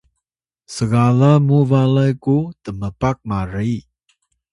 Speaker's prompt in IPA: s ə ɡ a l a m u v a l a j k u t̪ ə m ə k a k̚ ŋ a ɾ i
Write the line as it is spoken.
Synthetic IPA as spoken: s ə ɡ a l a m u v a l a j k u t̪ ə m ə p a k̚ m a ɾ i